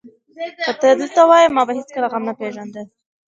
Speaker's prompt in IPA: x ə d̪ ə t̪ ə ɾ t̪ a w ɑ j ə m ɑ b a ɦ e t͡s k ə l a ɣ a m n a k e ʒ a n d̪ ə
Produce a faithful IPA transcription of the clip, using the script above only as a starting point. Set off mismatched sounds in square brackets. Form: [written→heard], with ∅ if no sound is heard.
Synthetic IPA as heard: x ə [d̪→t̪] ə [t̪→d̪] ə [ɾ→l] t̪ a w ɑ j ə m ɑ b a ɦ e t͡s k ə l a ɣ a m n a [k→p] e ʒ a n d̪ ə

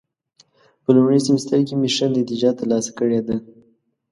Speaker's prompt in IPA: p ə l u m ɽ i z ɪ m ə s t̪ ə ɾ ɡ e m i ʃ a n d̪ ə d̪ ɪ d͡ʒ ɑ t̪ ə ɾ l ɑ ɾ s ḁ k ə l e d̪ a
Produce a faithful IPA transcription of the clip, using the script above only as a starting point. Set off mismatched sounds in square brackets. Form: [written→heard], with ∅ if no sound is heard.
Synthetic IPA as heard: p ə l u m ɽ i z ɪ m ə s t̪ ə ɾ [ɡ→k] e m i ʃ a n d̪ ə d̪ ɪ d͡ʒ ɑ t̪ ə ɾ l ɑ [ɾ→∅] s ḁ k ə [l→ɽ] e d̪ a

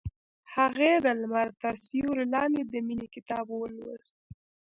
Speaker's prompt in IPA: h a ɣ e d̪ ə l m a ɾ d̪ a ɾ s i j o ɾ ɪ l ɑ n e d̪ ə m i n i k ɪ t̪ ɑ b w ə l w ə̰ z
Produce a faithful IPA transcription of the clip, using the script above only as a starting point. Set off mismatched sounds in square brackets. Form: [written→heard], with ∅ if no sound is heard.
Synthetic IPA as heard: h a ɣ e d̪ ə l m a ɾ [d̪→t̪] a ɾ s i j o ɾ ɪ l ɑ n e d̪ ə m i n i k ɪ t̪ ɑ b w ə l w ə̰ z

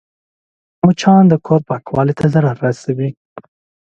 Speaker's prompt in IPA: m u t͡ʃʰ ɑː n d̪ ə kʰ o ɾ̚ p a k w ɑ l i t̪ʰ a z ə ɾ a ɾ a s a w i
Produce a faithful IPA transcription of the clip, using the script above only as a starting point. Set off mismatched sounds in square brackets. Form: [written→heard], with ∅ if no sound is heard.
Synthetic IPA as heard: m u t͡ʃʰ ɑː n d̪ ə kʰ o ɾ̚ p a k w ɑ l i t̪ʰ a z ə ɾ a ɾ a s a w i

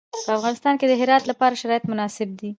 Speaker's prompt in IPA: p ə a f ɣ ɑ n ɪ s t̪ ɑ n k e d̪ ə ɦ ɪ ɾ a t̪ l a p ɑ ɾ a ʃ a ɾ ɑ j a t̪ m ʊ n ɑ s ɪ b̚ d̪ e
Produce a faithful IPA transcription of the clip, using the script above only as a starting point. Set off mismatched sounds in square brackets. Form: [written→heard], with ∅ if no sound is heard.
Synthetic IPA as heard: p ə a f ɣ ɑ n ɪ s t̪ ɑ n k e d̪ ə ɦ ɪ ɾ [a→ɑ] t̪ l a p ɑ ɾ a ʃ a ɾ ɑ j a t̪ m ʊ n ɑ s ɪ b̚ d̪ [e→i]

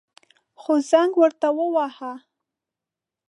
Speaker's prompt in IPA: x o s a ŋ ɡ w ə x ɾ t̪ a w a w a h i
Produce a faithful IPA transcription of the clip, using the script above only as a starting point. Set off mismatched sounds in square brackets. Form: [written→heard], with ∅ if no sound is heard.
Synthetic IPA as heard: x o [s→z] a ŋ ɡ w ə [x→∅] ɾ t̪ a w [a→ə] w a h [i→a]

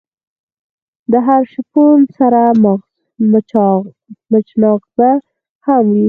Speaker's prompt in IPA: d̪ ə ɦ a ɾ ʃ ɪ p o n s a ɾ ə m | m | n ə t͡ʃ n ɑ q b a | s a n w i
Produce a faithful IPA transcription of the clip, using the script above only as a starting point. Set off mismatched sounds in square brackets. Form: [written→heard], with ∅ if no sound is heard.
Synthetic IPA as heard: d̪ ə ɦ a ɾ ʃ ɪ p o n s a ɾ [ə→a] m | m | [n→m] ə t͡ʃ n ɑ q b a | [s→h] a [n→m] w i

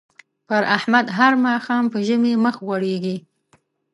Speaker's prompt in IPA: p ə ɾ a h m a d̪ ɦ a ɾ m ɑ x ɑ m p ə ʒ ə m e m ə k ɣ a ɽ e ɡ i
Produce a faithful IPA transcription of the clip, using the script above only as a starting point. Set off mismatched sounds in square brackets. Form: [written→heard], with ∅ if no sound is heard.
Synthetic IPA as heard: p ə ɾ a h m a d̪ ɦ a ɾ m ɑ x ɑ m p ə ʒ ə m e m ə [k→x] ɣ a ɽ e ɡ i

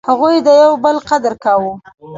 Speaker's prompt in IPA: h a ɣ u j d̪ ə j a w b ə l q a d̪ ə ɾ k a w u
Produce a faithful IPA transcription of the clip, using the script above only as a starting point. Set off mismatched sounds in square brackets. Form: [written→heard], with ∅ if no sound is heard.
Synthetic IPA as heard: h a ɣ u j d̪ ə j a w b ə l q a d̪ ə ɾ k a w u

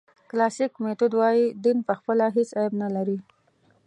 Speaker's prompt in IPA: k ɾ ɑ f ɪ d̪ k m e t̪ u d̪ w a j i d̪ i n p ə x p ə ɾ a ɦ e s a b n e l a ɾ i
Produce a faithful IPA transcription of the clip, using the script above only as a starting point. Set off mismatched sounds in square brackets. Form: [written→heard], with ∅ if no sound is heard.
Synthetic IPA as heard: k [ɾ→l] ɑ [f→s] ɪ [d̪→∅] k m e t̪ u d̪ w [a→ɑ] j i d̪ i n p ə x p ə [ɾ→l] a ɦ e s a b n [e→a] l a ɾ i

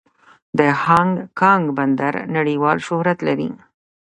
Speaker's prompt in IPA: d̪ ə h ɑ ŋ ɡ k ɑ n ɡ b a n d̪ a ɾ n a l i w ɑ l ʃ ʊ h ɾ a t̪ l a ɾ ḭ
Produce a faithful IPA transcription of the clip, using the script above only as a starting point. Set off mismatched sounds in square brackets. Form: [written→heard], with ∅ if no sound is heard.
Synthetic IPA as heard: d̪ ə h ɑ ŋ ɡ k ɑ [n→ŋ] ɡ b a n d̪ a ɾ n a [l→ɽ] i w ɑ l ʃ ʊ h ɾ a t̪ l a ɾ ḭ

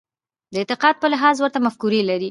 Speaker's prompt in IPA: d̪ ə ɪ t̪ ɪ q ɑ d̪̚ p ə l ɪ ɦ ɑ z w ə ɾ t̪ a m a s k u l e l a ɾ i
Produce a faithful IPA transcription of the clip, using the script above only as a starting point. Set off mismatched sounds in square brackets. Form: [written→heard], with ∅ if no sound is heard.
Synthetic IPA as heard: d̪ ə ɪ t̪ ɪ q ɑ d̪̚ p ə l ɪ ɦ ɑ z w ə ɾ t̪ a m a [s→f] k u [l→ɾ] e l a ɾ i

